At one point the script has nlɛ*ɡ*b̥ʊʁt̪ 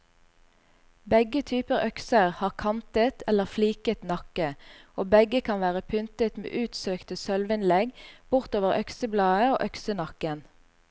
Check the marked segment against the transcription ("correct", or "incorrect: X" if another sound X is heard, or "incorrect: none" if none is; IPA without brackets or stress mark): correct